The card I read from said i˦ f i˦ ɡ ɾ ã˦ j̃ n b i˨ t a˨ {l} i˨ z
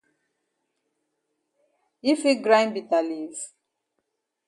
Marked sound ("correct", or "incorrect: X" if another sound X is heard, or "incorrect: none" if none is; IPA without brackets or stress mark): correct